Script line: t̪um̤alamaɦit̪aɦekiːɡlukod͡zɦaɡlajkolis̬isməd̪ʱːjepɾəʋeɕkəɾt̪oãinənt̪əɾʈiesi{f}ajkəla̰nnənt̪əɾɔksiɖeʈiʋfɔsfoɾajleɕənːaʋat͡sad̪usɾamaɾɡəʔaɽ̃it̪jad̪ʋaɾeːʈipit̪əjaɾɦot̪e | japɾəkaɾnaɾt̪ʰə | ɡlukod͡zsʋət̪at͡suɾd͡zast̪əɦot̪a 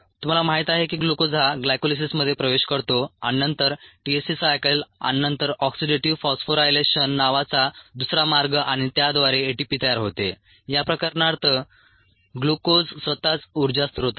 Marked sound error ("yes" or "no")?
yes